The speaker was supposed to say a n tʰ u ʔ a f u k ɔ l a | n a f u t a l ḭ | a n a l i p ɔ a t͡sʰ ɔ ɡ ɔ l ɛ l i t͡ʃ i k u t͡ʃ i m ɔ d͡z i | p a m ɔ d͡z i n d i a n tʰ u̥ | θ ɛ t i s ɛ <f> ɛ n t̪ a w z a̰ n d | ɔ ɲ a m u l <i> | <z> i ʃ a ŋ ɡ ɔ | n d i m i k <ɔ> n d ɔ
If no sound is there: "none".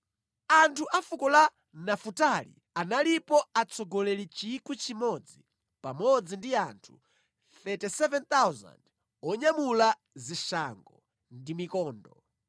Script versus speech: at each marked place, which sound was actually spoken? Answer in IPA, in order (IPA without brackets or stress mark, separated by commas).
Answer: v, a, z, ɔː